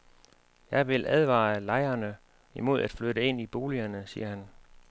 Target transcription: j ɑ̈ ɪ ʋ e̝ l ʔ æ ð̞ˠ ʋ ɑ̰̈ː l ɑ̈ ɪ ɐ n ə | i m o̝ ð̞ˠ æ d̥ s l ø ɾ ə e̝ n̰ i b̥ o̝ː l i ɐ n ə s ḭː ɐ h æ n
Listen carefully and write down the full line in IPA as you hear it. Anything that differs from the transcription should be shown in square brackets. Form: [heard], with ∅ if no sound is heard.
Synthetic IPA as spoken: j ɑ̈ ɪ ʋ e̝ l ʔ æ ð̞ˠ ʋ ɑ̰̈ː l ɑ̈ ɪ ɐ n ə | i m o̝ ð̞ˠ æ d̥ [f] l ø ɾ ə e̝ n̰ i b̥ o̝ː l i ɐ n ə s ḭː ɐ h æ n